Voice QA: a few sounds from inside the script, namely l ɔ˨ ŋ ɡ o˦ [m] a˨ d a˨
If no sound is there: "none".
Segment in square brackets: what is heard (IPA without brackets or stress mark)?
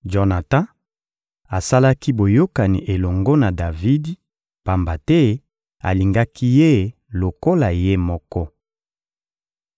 n